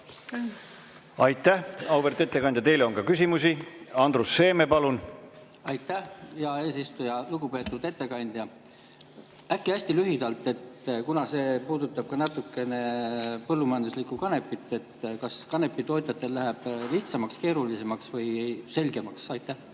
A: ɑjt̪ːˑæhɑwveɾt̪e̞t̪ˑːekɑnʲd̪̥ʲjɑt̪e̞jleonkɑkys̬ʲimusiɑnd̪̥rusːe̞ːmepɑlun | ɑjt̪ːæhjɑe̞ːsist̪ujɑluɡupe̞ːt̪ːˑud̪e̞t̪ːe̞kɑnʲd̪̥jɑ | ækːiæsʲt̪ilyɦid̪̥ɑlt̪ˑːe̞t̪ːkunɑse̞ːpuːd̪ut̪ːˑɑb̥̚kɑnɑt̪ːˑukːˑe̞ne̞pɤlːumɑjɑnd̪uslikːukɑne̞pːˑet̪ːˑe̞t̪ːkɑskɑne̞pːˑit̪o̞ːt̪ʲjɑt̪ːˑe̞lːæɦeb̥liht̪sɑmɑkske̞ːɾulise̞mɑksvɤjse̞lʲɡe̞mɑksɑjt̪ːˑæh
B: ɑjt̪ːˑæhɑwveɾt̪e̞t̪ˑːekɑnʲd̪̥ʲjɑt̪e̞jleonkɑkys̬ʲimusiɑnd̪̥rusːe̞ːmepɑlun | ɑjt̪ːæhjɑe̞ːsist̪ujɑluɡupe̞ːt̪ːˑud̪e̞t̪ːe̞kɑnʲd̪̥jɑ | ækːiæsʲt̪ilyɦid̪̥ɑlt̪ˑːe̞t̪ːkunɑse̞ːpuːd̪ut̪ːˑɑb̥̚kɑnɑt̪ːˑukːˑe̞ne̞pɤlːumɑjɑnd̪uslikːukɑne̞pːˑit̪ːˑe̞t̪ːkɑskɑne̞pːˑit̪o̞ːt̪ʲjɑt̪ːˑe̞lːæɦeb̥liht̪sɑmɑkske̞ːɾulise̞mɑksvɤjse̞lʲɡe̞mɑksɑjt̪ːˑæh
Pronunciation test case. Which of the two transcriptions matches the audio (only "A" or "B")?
B